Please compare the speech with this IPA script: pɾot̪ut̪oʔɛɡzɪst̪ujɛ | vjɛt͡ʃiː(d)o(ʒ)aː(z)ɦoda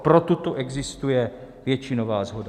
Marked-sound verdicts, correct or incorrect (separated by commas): incorrect, incorrect, correct